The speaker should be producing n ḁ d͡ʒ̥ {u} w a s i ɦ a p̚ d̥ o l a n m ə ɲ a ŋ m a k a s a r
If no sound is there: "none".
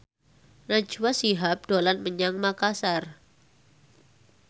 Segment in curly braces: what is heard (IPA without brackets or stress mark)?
u